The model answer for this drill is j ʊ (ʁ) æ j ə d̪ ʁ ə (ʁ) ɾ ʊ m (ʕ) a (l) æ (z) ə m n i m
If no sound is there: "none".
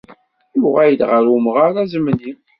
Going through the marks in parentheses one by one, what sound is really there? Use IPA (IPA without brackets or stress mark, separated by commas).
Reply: ʁ, none, ʁ, ɾ, z